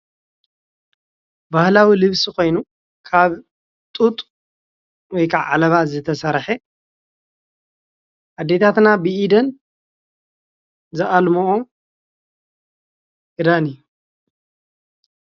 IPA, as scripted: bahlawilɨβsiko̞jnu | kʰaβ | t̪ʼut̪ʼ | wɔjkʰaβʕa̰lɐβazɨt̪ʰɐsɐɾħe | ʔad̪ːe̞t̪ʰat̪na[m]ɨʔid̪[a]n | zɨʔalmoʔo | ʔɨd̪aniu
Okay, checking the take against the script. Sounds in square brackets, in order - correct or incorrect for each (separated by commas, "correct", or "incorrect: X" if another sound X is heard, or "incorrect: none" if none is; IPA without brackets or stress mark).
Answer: incorrect: b, incorrect: ɐ